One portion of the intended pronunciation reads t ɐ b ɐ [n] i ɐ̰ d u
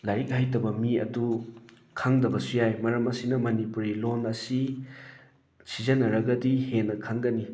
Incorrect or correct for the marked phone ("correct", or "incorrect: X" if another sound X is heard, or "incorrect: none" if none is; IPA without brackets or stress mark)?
incorrect: m